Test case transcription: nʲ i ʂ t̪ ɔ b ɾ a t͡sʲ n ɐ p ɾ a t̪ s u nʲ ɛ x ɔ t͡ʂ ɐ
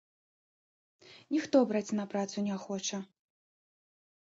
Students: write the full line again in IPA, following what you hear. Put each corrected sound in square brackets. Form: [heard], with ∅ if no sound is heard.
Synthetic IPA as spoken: nʲ i [x] t̪ ɔ b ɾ a t͡sʲ n ɐ p ɾ a t̪ s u nʲ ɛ x ɔ t͡ʂ ɐ